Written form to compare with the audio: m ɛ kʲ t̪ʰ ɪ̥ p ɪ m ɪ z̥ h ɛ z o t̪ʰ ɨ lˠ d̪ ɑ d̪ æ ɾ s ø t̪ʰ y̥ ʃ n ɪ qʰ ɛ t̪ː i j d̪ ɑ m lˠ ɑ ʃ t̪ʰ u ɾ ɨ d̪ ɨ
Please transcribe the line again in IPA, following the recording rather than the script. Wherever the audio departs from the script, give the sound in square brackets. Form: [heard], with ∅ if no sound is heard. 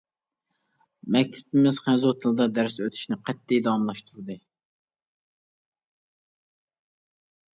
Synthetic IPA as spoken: m ɛ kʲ t̪ʰ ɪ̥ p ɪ m ɪ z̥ [χ] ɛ z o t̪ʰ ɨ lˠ d̪ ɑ d̪ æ ɾ s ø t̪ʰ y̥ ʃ n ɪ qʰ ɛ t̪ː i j d̪ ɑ m lˠ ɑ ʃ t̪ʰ u ɾ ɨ d̪ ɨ

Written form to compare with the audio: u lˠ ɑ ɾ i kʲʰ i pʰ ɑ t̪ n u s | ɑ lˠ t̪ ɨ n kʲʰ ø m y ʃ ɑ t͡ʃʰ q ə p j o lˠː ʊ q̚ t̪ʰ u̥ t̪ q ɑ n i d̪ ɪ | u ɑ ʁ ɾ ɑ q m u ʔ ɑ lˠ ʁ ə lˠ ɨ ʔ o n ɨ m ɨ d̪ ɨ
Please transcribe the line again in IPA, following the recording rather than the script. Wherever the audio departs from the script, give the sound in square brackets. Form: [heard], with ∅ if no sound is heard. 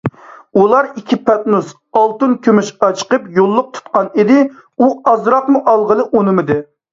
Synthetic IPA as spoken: u lˠ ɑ ɾ i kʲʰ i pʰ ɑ t̪ n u s | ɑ lˠ t̪ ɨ n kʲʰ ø m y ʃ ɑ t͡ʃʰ q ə p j o lˠː ʊ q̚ t̪ʰ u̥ t̪ q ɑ n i d̪ ɪ | u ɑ [z] ɾ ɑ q m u ʔ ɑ lˠ ʁ ə lˠ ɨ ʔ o n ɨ m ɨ d̪ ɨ

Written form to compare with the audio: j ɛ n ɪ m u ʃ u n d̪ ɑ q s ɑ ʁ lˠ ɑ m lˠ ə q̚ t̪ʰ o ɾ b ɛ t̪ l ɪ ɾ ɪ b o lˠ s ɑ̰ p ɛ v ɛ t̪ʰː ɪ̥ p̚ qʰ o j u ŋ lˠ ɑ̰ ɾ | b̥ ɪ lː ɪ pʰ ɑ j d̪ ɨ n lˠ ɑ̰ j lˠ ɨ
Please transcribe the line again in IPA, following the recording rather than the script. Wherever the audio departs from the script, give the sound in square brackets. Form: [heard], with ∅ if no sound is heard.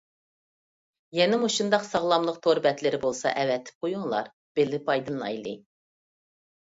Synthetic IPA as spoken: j ɛ n ɪ m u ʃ u n d̪ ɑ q s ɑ ʁ lˠ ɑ m lˠ ə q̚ t̪ʰ o ɾ b ɛ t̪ l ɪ ɾ ɪ b o lˠ s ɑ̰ [ʔ] ɛ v ɛ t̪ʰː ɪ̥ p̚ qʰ o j u ŋ lˠ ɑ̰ ɾ | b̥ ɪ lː ɪ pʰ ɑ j d̪ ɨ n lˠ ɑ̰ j lˠ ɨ

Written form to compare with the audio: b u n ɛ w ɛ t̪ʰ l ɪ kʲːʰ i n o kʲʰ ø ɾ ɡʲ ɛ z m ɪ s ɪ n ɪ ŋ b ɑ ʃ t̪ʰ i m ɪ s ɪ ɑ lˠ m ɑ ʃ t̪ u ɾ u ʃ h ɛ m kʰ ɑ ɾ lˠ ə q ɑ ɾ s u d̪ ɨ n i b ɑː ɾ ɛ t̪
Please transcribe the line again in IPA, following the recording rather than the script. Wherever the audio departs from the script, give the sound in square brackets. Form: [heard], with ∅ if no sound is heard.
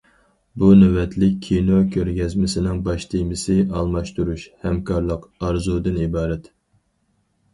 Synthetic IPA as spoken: b u n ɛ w ɛ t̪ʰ l ɪ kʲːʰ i n o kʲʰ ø ɾ ɡʲ ɛ z m ɪ s ɪ n ɪ ŋ b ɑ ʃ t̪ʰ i m ɪ s ɪ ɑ lˠ m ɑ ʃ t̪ u ɾ u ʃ h ɛ m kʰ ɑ ɾ lˠ ə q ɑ ɾ [z] u d̪ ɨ n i b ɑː ɾ ɛ t̪

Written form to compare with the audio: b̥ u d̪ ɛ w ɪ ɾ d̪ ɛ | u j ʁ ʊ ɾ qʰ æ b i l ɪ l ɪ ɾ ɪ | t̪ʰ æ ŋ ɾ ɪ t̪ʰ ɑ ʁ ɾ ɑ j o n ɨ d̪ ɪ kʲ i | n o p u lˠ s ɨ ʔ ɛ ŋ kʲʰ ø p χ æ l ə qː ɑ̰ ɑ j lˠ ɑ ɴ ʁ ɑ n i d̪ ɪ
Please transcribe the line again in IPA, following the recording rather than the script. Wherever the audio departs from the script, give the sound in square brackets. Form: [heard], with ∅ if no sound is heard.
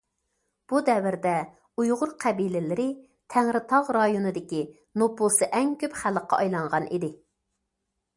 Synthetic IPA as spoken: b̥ u d̪ ɛ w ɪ ɾ d̪ ɛ | u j ʁ ʊ ɾ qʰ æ b i l ɪ l ɪ ɾ ɪ | t̪ʰ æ ŋ ɾ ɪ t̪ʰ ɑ ʁ ɾ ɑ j o n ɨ d̪ ɪ kʲ i | n o p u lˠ s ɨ ʔ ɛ ŋ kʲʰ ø p χ æ l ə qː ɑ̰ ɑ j lˠ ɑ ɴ ʁ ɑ n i d̪ ɪ

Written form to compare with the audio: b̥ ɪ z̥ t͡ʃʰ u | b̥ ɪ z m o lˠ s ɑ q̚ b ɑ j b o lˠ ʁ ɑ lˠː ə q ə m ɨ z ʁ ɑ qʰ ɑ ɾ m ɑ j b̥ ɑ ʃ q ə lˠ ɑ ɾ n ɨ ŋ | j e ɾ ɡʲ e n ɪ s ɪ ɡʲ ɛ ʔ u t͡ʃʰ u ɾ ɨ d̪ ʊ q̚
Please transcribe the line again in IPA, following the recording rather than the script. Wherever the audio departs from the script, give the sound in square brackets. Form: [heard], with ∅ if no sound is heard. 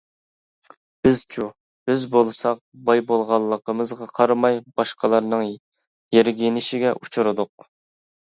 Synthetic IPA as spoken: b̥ ɪ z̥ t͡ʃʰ u | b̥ ɪ z [b] o lˠ s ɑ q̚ b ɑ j b o lˠ ʁ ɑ lˠː ə q ə m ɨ z ʁ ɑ qʰ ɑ ɾ m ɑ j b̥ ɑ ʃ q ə lˠ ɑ ɾ n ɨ ŋ | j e ɾ ɡʲ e n ɪ [ʃ] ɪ ɡʲ ɛ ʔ u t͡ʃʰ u ɾ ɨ d̪ ʊ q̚

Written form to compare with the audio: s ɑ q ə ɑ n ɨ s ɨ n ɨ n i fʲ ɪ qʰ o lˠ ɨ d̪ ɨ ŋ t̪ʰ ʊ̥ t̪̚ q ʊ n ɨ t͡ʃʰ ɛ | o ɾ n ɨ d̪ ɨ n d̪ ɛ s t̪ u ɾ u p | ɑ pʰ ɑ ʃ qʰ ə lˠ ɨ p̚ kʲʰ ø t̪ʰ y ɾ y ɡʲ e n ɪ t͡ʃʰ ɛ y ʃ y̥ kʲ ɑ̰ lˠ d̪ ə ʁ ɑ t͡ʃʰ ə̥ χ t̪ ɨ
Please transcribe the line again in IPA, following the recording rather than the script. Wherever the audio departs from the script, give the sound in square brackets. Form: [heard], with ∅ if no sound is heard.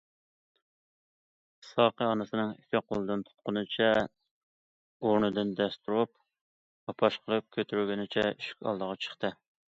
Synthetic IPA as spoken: s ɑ q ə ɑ n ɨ s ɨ n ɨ [ŋ] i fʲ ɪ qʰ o lˠ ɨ d̪ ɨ [n] t̪ʰ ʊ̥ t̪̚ q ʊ n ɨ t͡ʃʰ ɛ | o ɾ n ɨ d̪ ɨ n d̪ ɛ s t̪ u ɾ u p | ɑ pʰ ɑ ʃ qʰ ə lˠ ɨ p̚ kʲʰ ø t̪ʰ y ɾ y ɡʲ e n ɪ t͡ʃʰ ɛ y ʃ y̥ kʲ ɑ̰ lˠ d̪ ə ʁ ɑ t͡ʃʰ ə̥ χ t̪ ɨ

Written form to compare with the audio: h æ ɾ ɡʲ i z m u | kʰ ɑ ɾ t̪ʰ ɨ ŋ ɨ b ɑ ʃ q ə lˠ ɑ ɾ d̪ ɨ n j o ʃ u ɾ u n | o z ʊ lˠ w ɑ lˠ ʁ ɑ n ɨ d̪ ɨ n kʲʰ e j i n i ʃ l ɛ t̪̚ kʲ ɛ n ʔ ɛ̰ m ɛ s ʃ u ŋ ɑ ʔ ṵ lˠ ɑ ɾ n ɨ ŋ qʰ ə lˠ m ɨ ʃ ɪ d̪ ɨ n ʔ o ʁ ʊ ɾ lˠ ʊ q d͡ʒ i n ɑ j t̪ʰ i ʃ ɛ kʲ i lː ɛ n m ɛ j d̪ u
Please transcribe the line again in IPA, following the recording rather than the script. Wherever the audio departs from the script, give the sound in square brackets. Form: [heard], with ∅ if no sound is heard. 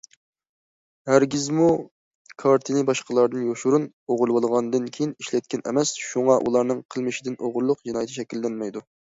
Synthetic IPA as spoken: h æ ɾ ɡʲ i z m u | kʰ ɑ ɾ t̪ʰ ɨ [n] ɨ b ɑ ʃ q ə lˠ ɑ ɾ d̪ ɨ n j o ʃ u ɾ u n | o [ʁ] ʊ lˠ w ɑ lˠ ʁ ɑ n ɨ d̪ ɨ n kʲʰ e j i n i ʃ l ɛ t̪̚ kʲ ɛ n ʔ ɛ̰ m ɛ s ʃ u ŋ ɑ ʔ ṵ lˠ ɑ ɾ n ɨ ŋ qʰ ə lˠ m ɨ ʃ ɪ d̪ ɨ n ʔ o ʁ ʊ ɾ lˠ ʊ q d͡ʒ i n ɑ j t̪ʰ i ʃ ɛ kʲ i lː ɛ n m ɛ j d̪ u

